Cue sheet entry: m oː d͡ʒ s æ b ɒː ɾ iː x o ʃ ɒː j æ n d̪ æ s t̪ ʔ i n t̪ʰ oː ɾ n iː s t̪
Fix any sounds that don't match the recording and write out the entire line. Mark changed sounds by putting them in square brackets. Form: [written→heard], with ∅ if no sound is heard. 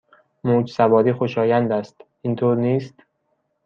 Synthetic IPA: m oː d͡ʒ s æ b ɒː ɾ iː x o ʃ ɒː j æ n d̪ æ s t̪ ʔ i n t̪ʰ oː ɾ n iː s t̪